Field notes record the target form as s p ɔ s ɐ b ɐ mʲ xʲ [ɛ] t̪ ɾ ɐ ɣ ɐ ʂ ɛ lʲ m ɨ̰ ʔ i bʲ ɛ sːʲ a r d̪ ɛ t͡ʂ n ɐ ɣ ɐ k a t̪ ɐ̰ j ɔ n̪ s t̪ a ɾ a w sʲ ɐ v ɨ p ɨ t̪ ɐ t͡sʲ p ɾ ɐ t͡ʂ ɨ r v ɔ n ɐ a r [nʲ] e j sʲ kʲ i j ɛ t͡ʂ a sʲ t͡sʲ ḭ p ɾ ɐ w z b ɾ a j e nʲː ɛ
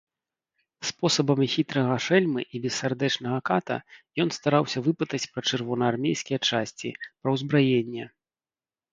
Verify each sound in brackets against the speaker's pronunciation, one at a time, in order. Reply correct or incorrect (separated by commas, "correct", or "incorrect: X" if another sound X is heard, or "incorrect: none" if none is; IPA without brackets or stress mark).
incorrect: i, incorrect: mʲ